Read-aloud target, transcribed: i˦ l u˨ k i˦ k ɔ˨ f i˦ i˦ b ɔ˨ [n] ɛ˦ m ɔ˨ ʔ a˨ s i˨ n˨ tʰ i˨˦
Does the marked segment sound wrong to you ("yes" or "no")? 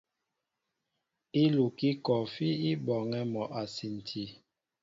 yes